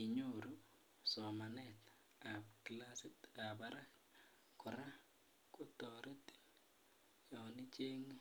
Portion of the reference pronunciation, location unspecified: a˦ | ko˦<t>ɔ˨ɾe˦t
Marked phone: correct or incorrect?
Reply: correct